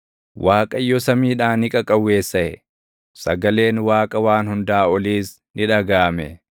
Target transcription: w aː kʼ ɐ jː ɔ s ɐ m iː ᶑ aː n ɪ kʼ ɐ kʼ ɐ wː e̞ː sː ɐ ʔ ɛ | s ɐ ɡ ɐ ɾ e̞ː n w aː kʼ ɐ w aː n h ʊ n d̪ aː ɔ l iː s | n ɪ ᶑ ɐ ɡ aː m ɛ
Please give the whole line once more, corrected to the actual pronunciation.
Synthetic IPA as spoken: w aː kʼ ɐ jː ɔ s ɐ m iː ᶑ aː n ɪ kʼ ɐ kʼ ɐ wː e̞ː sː ɐ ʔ ɛ | s ɐ ɡ ɐ l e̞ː n w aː kʼ ɐ w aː n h ʊ n d̪ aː ɔ l iː s | n ɪ ᶑ ɐ ɡ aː m ɛ